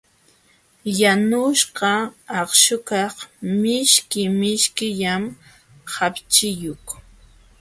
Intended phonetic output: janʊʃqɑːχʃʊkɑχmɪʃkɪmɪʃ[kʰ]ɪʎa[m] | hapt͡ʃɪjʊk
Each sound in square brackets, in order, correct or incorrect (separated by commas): incorrect, correct